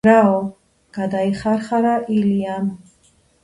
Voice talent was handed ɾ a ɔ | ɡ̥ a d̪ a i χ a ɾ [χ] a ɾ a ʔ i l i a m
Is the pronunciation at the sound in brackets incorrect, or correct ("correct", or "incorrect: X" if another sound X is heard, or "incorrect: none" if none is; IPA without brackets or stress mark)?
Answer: correct